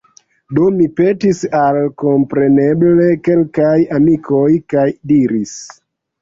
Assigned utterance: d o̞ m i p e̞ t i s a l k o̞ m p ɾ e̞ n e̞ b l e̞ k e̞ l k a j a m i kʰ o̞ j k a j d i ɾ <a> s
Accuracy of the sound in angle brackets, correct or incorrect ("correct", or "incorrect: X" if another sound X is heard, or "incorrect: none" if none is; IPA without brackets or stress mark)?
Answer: incorrect: i